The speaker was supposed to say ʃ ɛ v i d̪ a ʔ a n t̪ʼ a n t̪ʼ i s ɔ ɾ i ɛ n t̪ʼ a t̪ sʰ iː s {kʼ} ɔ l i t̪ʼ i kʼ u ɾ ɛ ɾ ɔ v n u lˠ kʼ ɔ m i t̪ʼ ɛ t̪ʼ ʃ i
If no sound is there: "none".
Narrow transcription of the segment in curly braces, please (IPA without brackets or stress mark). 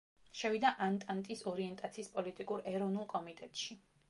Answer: pʼ